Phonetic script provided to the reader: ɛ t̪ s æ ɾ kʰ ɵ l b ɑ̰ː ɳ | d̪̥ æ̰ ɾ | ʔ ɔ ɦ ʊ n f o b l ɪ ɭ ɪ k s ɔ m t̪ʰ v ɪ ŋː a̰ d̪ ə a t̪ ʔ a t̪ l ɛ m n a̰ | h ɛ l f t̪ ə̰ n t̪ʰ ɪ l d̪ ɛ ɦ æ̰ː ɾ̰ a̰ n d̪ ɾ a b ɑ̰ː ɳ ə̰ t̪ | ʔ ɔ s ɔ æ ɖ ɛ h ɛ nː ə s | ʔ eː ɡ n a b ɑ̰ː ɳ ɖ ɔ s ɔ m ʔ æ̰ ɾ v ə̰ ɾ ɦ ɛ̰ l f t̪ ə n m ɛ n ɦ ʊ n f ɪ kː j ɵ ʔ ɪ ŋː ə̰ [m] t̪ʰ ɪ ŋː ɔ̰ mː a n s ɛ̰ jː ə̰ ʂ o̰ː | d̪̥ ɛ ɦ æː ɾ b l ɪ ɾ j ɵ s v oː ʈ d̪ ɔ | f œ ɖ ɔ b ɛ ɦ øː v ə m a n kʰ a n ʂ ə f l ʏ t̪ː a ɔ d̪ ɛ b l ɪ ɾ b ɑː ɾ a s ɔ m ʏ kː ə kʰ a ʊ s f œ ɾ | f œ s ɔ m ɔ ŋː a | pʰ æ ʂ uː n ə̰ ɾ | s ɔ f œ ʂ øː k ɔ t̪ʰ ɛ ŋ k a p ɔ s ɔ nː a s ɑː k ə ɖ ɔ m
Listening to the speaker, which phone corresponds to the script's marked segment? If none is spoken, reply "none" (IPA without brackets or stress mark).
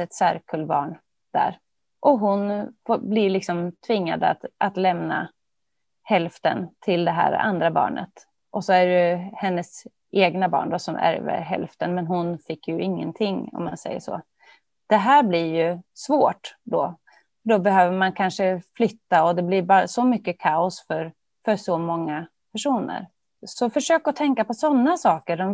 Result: n